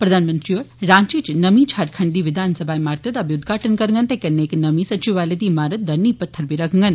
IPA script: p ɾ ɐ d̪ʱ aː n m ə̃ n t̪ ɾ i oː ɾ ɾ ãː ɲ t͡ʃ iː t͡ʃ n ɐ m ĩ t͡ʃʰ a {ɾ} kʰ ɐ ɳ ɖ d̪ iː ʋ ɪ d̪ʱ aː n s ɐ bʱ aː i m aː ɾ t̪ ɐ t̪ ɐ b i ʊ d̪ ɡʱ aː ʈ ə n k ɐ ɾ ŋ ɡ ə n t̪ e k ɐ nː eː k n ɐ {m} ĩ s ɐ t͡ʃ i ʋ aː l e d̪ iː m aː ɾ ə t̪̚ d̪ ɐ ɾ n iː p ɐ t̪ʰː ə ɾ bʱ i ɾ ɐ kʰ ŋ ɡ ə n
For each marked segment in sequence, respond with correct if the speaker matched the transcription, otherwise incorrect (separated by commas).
correct, correct